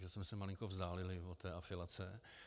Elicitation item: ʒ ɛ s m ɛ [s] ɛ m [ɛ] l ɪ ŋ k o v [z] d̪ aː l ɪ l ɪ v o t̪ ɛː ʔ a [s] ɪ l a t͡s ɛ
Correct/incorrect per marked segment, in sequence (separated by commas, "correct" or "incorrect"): correct, incorrect, correct, incorrect